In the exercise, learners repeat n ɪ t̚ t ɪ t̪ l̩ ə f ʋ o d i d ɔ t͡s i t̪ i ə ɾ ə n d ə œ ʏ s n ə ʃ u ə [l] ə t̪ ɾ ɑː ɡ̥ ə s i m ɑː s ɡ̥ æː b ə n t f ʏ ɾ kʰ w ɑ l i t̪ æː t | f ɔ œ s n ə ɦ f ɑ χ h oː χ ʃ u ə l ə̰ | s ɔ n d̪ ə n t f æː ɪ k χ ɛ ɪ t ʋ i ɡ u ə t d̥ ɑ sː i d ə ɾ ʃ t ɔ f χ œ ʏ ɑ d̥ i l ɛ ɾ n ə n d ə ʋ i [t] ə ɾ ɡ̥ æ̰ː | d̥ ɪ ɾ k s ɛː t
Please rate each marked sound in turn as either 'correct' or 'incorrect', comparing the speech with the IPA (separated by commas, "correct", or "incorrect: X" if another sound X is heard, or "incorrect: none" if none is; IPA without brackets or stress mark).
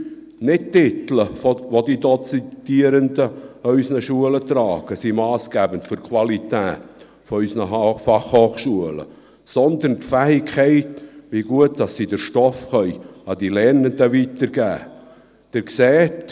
correct, correct